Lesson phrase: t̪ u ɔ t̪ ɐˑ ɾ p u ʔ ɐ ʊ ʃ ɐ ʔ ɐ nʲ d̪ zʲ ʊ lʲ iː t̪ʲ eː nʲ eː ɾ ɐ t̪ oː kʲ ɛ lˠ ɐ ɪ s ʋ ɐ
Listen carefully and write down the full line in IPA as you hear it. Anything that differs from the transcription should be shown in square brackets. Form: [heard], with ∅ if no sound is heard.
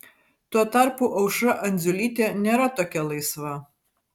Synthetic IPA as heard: t̪ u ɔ t̪ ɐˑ ɾ p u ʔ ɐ ʊ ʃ ɐ ʔ ɐ nʲ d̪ zʲ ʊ lʲ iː t̪ʲ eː nʲ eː ɾ ɐ t̪ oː kʲ ɛ lˠ ɐ ɪ s ʋ ɐ